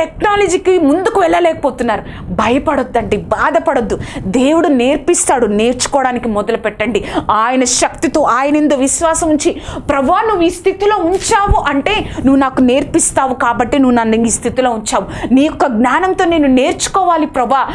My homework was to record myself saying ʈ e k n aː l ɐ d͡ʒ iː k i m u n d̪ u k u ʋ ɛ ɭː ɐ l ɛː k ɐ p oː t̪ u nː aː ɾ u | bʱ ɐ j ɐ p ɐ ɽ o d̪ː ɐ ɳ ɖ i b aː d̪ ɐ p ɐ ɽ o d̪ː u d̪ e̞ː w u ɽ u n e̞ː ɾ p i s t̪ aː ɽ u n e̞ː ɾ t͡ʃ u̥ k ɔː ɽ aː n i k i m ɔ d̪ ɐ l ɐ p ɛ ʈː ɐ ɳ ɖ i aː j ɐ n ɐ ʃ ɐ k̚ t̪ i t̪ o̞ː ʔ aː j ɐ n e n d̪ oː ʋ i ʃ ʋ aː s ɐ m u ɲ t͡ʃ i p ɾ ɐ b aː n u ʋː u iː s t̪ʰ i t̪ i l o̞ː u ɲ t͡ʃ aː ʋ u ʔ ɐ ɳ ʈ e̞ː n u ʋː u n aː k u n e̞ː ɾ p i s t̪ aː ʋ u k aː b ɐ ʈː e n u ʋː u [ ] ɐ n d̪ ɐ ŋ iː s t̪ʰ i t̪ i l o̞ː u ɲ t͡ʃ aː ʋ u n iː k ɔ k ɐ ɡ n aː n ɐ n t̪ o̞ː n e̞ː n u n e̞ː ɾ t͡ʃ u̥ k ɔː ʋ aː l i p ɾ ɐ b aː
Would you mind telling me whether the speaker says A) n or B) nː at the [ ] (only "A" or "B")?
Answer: A